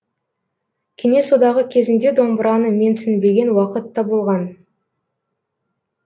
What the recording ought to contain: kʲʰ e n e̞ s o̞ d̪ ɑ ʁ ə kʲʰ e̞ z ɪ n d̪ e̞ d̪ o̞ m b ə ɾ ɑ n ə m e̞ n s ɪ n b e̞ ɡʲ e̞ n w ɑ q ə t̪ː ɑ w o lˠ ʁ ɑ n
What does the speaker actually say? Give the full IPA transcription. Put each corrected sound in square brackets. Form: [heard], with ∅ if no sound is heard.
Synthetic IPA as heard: kʲʰ e n e̞ s o̞ d̪ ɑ ʁ ə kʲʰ e̞ z ɪ n d̪ e̞ d̪ o̞ m b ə ɾ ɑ n ə m e̞ n s ɪ n b e̞ ɡʲ e̞ n w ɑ q ə t̪ː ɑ [b] o lˠ ʁ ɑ n

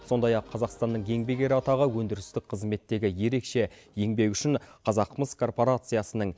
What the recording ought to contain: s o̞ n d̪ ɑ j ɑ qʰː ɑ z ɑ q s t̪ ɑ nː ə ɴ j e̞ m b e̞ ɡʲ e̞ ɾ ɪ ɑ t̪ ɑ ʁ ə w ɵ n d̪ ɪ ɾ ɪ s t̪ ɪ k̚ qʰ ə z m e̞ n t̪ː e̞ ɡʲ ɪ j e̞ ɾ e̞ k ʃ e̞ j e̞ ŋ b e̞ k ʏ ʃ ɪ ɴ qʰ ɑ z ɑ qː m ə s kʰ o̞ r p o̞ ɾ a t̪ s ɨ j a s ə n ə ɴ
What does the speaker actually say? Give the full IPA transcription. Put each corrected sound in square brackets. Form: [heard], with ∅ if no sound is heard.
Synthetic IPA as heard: s o̞ n d̪ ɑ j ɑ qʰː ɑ z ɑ q s t̪ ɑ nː ə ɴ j e̞ [ŋ] b e̞ ɡʲ e̞ ɾ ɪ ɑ t̪ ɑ ʁ ə w ɵ n d̪ ɪ ɾ ɪ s t̪ ɪ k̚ qʰ ə z m e̞ [∅] t̪ː e̞ ɡʲ ɪ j e̞ ɾ e̞ k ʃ e̞ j e̞ ŋ b e̞ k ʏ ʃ ɪ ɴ qʰ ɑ z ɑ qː m ə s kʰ o̞ r p o̞ ɾ a t̪ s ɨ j a s ə n ə ɴ

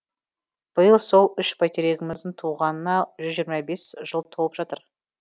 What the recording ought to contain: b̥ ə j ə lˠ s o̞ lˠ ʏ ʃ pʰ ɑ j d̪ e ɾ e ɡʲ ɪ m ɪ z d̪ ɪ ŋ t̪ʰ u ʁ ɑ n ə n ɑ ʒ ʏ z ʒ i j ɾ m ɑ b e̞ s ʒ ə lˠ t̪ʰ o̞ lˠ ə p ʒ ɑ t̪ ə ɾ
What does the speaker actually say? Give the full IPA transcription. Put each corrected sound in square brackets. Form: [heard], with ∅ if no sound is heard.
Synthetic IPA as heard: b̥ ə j ə lˠ s o̞ lˠ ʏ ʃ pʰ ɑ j [t̪] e ɾ e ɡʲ ɪ m ɪ z d̪ ɪ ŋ t̪ʰ u ʁ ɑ n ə n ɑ ʒ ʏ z ʒ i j ɾ m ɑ b e̞ s ʒ ə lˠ t̪ʰ o̞ lˠ ə p ʒ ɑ t̪ ə ɾ

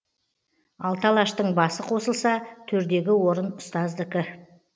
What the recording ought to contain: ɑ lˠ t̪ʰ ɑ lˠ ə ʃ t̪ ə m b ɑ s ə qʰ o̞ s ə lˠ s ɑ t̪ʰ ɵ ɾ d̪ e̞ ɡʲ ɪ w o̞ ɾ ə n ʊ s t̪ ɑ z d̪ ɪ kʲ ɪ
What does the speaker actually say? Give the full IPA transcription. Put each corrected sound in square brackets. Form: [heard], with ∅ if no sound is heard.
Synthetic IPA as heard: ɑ lˠ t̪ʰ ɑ lˠ [ɑ] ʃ t̪ ə [ɴ] b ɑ s ə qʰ o̞ s ə lˠ s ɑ t̪ʰ ɵ ɾ d̪ e̞ ɡʲ ɪ w o̞ ɾ ə n ʊ s t̪ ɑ z d̪ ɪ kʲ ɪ

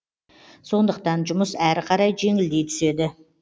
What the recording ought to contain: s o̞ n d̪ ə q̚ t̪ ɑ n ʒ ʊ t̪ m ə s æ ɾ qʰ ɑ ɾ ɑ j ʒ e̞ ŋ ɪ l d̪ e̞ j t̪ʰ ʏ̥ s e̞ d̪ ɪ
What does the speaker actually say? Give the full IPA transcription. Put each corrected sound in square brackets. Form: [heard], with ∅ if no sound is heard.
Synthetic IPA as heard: s o̞ n d̪ ə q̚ t̪ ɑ n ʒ ʊ [∅] m ə s æ ɾ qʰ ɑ ɾ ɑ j ʒ e̞ ŋ ɪ l d̪ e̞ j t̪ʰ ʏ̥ s e̞ d̪ ɪ

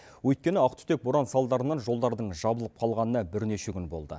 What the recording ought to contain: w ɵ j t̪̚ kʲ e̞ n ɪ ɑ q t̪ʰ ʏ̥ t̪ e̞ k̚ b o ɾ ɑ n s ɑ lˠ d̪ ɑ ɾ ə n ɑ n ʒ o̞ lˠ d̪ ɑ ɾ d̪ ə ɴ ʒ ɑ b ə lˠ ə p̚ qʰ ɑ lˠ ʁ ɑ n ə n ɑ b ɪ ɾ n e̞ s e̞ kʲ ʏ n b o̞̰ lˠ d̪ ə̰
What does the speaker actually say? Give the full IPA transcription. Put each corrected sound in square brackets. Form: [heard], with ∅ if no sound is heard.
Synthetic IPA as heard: w ɵ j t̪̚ kʲ e̞ n ɪ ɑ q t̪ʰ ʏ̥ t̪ e̞ k̚ b o ɾ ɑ n s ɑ lˠ d̪ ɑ ɾ ə n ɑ n ʒ o̞ lˠ d̪ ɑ ɾ d̪ ə ɴ ʒ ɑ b ə lˠ ə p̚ qʰ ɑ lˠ ʁ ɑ n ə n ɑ b ɪ ɾ n e̞ [ʃ] e̞ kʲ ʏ n b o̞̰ lˠ d̪ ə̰

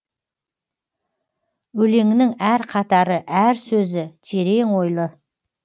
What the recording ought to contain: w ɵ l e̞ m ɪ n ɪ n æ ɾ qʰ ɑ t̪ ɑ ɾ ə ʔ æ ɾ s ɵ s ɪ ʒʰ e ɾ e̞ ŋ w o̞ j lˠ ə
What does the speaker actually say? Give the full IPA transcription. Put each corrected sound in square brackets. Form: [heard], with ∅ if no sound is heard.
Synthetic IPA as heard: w ɵ l e̞ [ŋ] ɪ n ɪ [ŋ] æ ɾ qʰ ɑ t̪ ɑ ɾ ə ʔ æ ɾ s ɵ [z] ɪ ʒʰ e ɾ e̞ ŋ w o̞ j lˠ ə

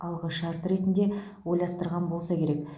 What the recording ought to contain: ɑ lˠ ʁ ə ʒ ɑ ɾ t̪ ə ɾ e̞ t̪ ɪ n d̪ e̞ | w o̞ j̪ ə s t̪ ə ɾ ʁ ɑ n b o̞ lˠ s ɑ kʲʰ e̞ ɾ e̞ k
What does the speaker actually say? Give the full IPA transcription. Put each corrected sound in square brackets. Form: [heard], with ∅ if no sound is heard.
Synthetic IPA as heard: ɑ lˠ ʁ ə [ʃ] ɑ ɾ t̪ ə ɾ e̞ t̪ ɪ n d̪ e̞ | w o̞ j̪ [ɑ] s t̪ ə ɾ ʁ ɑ n b o̞ lˠ s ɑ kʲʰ e̞ ɾ e̞ k

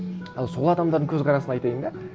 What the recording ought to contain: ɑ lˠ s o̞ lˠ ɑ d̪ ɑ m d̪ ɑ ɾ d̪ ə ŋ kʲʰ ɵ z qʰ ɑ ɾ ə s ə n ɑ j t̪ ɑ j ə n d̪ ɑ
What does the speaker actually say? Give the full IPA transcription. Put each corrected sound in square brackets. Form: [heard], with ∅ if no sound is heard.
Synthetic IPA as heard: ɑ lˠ s o̞ lˠ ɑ d̪ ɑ m d̪ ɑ ɾ d̪ ə ŋ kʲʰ ɵ z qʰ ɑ ɾ [ɑ] s ə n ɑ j t̪ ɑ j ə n d̪ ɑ

